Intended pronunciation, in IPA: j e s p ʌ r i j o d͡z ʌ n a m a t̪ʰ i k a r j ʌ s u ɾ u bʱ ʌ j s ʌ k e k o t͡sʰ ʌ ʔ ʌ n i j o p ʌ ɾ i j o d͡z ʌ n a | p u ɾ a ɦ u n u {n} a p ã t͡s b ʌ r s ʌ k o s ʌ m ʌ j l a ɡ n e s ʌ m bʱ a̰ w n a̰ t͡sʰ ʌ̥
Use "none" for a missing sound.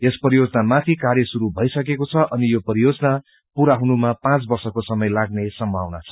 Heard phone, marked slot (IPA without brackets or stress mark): m